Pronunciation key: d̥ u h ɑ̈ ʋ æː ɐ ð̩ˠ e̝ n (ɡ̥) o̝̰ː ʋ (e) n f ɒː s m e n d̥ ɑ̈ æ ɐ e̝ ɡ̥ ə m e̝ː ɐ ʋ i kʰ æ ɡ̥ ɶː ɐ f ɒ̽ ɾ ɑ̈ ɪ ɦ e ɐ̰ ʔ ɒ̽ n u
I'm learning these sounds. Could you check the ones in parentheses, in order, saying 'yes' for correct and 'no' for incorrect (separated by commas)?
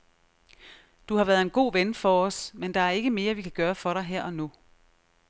yes, yes